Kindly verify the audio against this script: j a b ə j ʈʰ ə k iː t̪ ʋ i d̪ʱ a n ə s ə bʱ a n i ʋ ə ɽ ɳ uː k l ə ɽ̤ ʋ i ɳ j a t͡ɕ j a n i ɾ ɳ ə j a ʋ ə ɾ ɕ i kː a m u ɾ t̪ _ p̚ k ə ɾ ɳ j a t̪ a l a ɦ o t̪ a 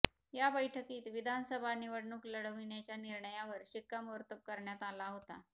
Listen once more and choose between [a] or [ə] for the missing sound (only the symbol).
ə